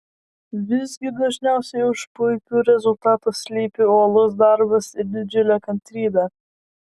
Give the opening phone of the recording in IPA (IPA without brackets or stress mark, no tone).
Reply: ʋʲ